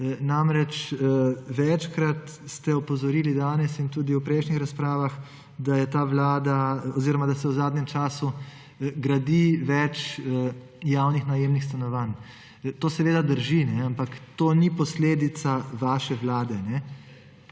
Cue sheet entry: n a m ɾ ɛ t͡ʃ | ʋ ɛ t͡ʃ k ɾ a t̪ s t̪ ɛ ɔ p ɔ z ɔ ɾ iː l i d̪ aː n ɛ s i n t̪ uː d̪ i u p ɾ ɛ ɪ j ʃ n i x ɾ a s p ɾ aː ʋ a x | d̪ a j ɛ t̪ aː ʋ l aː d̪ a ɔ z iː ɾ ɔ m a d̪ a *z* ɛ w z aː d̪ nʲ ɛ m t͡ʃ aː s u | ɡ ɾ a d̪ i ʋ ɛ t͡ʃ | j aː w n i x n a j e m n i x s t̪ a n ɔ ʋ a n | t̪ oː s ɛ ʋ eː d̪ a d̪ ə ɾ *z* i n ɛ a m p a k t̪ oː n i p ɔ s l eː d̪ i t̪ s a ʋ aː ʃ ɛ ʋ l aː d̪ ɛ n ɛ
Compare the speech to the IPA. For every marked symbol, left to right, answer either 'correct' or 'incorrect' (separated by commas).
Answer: incorrect, incorrect